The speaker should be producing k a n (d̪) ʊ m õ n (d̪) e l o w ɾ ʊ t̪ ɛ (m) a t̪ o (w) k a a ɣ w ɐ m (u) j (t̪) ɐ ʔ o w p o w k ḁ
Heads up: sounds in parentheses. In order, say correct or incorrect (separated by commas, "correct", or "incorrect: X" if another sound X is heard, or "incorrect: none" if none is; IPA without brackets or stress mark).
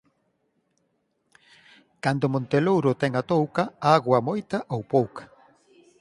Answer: correct, incorrect: t̪, incorrect: ŋ, correct, incorrect: o, correct